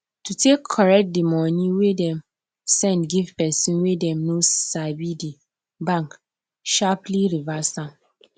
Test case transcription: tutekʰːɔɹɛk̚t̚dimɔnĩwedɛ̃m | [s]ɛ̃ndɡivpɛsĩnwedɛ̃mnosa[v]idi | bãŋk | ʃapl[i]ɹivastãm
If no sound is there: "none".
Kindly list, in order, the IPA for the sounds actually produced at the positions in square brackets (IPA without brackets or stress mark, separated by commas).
s, b, i